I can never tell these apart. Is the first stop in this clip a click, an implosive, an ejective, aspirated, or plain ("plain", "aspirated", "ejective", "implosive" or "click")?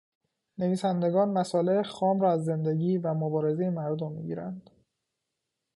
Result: plain